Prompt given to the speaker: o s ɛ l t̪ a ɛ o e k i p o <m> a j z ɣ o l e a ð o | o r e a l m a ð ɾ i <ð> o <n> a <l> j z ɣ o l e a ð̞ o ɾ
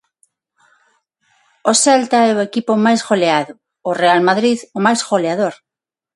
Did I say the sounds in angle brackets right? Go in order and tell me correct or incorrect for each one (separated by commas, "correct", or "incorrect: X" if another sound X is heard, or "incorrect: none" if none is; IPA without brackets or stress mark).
correct, correct, incorrect: m, incorrect: none